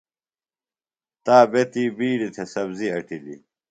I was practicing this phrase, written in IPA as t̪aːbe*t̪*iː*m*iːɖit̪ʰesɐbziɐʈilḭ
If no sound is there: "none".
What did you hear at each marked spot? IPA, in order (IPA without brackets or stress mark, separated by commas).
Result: t̪, b